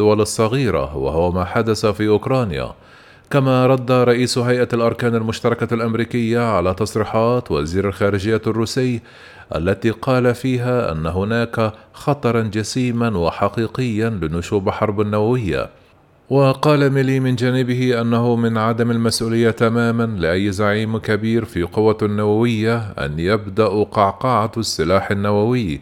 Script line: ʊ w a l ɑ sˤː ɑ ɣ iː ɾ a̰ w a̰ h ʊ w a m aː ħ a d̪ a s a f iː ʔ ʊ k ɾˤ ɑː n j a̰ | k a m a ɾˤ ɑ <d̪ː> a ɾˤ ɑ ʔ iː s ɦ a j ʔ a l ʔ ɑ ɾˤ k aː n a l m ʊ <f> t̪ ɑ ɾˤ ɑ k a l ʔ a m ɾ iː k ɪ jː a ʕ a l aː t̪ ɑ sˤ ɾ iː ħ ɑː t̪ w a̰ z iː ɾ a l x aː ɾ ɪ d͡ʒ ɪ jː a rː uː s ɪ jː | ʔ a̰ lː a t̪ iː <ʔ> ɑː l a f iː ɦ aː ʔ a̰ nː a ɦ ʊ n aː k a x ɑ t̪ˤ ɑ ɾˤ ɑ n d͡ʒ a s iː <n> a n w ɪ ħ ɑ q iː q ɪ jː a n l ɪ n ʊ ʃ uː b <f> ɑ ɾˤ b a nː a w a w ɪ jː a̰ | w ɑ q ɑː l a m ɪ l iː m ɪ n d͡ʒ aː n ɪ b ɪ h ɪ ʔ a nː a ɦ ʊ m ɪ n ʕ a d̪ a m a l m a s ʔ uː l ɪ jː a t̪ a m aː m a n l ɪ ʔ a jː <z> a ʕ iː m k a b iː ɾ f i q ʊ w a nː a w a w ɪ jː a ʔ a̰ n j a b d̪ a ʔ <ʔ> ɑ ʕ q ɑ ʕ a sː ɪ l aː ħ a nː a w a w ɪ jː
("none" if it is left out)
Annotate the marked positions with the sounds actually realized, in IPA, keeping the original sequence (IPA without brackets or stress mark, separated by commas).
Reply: d̪ː, ʃ, q, m, ħ, z, q